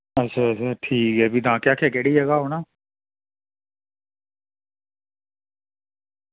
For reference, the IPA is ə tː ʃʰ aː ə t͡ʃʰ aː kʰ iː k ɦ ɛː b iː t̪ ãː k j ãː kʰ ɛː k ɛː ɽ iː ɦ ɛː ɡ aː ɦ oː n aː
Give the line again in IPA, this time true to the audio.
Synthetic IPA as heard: ə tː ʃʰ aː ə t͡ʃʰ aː ʈʰ iː k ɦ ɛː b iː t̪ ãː k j aː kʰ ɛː k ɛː ɽ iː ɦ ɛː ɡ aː ɦ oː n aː